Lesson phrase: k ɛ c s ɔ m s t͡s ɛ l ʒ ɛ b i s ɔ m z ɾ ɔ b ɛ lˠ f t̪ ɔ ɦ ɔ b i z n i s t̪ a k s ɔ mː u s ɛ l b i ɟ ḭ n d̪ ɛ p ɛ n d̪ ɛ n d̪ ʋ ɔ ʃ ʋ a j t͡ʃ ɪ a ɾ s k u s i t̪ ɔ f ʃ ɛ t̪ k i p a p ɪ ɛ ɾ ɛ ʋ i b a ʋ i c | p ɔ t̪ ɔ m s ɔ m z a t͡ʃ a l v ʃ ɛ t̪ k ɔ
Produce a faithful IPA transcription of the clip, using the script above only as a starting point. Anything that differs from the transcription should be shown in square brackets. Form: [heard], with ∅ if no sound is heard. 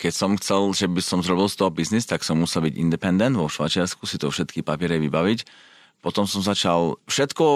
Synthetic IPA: k ɛ c s ɔ m [x] t͡s ɛ l ʒ ɛ b i s ɔ m z ɾ ɔ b [i] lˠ [s] t̪ ɔ ɦ ɔ b i z n i s t̪ a k s ɔ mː u s ɛ l b i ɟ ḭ n d̪ ɛ p ɛ n d̪ ɛ n d̪ ʋ ɔ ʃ ʋ a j t͡ʃ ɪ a ɾ s k u s i t̪ ɔ f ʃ ɛ t̪ k i p a p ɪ ɛ ɾ ɛ ʋ i b a ʋ i c | p ɔ t̪ ɔ m s ɔ m z a t͡ʃ a l [f] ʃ ɛ t̪ k ɔ